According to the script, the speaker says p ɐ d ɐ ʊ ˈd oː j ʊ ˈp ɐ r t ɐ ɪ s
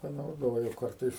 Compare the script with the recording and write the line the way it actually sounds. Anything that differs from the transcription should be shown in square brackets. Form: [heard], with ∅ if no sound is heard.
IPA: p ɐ [n] ɐ ʊ ˈd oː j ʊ [ˈk] ɐ r t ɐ ɪ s